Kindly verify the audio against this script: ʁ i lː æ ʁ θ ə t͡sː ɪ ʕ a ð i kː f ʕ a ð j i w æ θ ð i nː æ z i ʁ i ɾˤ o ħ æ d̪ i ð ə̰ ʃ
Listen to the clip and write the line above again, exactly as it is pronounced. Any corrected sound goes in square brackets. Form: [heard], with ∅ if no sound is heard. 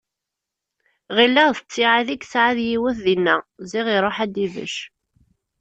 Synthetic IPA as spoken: ʁ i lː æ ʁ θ ə t͡sː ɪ ʕ a ð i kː [s] ʕ a ð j i w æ θ ð i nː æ z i ʁ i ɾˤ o ħ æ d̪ i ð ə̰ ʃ